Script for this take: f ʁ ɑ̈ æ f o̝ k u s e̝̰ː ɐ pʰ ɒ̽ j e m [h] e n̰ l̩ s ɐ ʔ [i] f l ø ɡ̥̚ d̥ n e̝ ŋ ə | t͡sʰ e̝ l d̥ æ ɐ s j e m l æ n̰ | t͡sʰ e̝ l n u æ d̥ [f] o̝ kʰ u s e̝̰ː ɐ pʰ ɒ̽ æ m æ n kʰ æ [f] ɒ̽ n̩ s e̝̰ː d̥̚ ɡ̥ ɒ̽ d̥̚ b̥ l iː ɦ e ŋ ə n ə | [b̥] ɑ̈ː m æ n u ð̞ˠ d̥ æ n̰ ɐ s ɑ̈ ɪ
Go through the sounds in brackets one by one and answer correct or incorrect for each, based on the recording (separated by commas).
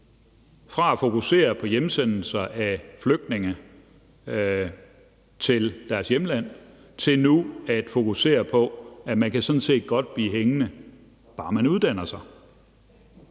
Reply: incorrect, incorrect, correct, incorrect, correct